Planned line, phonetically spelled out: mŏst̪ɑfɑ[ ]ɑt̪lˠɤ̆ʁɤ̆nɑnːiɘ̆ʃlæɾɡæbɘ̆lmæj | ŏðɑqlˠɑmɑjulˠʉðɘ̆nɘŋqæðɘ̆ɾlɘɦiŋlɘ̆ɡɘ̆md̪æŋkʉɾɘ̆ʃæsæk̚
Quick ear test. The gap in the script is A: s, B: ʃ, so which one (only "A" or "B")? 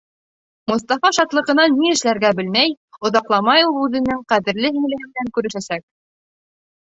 B